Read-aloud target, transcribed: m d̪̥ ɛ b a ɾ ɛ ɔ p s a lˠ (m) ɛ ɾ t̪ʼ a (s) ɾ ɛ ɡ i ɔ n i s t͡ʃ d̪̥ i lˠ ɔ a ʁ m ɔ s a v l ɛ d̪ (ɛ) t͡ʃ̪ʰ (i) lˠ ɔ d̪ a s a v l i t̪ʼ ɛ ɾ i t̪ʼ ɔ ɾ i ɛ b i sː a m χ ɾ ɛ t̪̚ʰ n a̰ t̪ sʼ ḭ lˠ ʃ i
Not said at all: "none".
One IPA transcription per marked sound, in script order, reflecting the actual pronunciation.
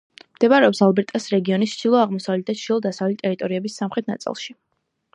b, s, a, i

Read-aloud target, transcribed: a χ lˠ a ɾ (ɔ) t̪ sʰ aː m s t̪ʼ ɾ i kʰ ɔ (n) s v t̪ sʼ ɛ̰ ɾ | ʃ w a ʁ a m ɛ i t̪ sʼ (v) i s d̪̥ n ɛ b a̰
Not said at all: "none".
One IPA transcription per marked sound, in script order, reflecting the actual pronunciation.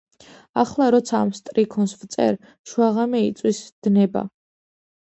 ɔ, n, w

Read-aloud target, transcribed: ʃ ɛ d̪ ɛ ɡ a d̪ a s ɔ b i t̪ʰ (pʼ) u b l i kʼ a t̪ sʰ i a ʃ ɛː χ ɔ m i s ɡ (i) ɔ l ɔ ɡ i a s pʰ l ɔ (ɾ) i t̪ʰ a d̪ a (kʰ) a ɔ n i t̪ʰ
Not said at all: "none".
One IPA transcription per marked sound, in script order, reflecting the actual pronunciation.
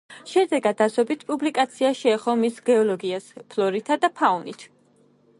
pʼ, ɛ, ɾ, pʰ

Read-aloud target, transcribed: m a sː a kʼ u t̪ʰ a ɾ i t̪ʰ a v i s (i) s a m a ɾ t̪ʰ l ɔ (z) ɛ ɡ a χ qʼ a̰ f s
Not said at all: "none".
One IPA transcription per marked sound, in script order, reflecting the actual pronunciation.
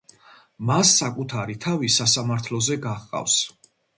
a, z

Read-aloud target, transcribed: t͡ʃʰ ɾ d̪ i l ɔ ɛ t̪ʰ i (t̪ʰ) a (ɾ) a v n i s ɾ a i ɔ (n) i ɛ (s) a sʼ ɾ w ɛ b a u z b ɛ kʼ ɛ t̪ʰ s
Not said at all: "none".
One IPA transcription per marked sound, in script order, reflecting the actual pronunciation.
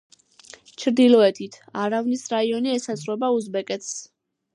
t̪ʰ, ɾ, n, s

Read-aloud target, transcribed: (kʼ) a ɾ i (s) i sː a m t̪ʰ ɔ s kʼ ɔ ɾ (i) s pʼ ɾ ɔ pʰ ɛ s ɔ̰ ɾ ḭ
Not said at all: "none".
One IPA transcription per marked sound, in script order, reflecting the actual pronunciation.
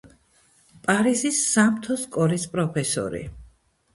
pʼ, z, i

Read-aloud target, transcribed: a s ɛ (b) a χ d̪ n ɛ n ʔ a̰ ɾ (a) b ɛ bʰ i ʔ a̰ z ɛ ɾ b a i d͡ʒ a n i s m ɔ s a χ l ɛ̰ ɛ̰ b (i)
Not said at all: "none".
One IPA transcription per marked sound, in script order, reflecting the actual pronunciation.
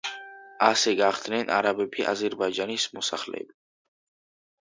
ɡ, a, i

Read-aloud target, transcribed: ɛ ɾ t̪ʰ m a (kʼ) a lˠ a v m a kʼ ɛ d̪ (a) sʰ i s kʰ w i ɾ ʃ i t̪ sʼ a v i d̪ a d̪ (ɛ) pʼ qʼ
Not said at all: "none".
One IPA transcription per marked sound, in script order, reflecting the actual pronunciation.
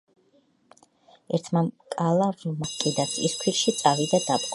kʼ, a, a

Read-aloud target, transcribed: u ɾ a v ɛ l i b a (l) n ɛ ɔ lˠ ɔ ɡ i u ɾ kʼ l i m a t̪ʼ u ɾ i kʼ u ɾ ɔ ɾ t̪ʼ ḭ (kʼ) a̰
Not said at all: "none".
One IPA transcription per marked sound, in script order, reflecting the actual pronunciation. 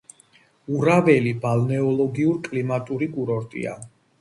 l, none

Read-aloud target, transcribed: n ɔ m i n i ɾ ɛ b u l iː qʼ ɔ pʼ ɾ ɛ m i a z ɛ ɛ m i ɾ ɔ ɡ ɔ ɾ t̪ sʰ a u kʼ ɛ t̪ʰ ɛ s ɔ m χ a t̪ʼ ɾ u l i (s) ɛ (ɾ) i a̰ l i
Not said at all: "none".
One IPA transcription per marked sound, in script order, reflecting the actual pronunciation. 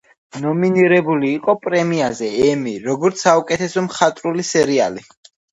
s, ɾ

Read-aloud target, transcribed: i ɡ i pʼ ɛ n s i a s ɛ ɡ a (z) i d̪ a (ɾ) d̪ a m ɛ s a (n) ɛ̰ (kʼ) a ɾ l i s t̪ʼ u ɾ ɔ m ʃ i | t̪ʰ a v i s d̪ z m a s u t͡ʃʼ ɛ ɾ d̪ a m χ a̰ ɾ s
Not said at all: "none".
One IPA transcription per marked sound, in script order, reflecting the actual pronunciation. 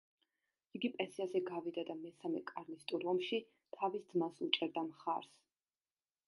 v, none, m, kʼ

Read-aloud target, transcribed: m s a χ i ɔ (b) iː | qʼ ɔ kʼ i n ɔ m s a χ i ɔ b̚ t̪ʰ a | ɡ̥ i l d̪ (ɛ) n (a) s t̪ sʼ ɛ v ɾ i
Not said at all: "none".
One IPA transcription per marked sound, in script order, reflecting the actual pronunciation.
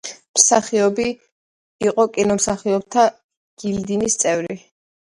b, i, i

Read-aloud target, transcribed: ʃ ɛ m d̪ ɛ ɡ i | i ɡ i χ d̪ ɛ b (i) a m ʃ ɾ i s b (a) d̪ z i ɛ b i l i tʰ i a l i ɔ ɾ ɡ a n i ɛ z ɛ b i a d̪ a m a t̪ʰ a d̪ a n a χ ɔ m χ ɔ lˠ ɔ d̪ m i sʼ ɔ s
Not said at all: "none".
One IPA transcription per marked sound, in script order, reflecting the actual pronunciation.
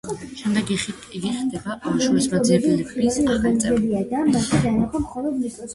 a, a

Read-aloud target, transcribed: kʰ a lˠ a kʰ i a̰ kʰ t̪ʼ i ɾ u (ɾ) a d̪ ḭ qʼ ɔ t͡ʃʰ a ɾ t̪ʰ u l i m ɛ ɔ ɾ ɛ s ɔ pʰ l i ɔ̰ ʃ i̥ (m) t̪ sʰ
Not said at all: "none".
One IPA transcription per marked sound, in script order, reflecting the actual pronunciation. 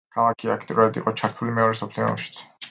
ɾ, none

